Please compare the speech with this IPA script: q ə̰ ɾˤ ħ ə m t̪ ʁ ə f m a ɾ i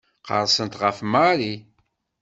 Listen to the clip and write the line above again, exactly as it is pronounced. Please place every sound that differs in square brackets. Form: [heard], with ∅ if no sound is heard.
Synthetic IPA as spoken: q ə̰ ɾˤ [s] ə [n] t̪ ʁ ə f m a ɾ i